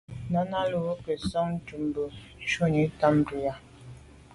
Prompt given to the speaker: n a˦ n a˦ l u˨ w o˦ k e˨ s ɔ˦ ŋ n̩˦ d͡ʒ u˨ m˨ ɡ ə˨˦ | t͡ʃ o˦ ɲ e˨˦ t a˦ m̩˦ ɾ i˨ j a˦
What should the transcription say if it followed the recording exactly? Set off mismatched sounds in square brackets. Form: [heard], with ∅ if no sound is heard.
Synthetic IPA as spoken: n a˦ n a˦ l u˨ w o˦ k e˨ s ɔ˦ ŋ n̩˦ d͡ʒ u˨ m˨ [b] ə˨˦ | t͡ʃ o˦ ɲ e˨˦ t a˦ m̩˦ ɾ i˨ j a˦